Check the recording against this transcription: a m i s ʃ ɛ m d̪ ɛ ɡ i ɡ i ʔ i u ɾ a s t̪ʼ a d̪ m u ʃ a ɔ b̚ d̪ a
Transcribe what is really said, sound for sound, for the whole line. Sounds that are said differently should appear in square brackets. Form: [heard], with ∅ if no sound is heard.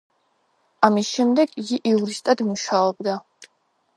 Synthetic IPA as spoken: a m i s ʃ ɛ m d̪ ɛ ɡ i ɡ i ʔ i u ɾ [i] s t̪ʼ a d̪ m u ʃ a ɔ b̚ d̪ a